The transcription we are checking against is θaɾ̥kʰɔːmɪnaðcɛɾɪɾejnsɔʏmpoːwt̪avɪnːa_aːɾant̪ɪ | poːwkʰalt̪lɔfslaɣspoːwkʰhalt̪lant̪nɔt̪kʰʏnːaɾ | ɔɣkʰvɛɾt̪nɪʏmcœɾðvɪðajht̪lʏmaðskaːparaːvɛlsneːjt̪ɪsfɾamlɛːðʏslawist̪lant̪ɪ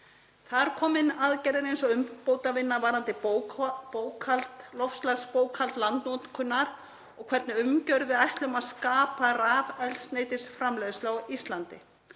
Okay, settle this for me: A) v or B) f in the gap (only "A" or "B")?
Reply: A